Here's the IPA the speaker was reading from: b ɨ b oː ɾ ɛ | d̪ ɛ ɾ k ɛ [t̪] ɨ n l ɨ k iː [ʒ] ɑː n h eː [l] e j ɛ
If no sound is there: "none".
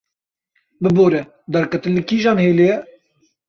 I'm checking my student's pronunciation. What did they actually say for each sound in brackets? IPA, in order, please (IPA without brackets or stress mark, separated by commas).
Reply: t̪, ʒ, l